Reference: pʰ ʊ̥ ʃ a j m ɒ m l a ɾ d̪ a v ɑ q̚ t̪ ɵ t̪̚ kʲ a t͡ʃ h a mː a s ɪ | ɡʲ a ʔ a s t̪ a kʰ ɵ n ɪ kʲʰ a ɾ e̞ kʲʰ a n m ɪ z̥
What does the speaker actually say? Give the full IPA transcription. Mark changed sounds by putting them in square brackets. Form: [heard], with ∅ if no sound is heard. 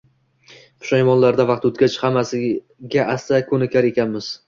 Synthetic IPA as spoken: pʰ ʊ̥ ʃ a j m ɒ [n] l a ɾ d̪ a v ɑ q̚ t̪ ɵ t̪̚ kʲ a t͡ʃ h a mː a s ɪ | ɡʲ a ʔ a s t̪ a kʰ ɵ n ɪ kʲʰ a ɾ e̞ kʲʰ a n m ɪ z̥